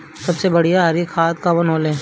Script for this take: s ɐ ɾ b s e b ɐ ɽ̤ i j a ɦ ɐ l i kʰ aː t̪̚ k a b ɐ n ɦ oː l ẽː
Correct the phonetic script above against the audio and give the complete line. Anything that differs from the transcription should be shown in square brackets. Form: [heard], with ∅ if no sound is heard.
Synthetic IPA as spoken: s ɐ [∅] b s e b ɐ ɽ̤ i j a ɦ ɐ [ɾ] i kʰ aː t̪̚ k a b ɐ n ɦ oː l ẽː